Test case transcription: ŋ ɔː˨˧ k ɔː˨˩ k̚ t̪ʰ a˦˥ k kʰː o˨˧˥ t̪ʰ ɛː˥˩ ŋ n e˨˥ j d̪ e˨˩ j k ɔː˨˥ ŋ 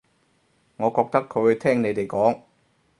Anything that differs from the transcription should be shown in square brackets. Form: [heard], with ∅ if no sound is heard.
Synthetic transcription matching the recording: ŋ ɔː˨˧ k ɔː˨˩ k̚ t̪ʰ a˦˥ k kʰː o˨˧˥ t̪ʰ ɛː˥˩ ŋ n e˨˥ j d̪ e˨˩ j k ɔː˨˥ ŋ